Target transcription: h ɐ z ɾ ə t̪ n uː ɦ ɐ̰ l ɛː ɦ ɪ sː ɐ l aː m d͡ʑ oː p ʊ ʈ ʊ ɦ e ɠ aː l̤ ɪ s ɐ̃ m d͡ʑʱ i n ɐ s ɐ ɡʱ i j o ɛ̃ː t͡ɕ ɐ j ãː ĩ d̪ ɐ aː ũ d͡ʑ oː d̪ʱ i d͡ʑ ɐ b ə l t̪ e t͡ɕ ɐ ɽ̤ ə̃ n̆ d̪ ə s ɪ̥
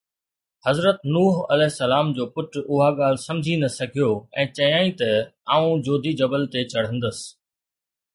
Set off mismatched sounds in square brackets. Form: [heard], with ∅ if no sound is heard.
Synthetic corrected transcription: h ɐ z ɾ ə t̪ n uː ɦ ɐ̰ l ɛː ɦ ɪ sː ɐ l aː m d͡ʑ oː p ʊ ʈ ʊ ɦ [a] ɠ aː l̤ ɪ s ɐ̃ m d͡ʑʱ i n ɐ s ɐ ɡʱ i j o ɛ̃ː t͡ɕ ɐ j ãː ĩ [t̪] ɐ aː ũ d͡ʑ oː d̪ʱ i d͡ʑ ɐ b ə l t̪ e t͡ɕ ɐ ɽ̤ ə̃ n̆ d̪ ə s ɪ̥